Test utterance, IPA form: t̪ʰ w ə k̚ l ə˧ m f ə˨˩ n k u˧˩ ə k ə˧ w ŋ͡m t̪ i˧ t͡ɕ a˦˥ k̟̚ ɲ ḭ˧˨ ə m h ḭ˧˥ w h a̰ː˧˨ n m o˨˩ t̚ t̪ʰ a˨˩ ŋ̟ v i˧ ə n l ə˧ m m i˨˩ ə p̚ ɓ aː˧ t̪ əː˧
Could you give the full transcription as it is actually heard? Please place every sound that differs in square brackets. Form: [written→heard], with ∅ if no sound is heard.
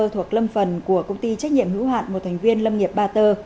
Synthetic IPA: t̪ʰ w ə k̚ l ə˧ m f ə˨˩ n k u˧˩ ə k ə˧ w ŋ͡m t̪ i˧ t͡ɕ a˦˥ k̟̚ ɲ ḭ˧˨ ə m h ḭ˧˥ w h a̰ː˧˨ n m o˨˩ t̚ t̪ʰ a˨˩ ŋ̟ v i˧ ə n l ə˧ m [m→ŋ] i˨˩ ə p̚ ɓ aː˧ t̪ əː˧